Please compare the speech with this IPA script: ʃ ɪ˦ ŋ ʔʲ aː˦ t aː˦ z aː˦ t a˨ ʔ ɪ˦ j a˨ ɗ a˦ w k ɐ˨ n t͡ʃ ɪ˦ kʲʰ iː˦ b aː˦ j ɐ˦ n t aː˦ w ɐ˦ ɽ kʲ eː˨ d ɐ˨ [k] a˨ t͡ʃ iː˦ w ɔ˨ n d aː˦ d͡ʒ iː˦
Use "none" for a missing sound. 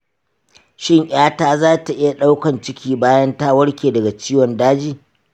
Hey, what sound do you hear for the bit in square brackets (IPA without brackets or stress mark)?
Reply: ɡ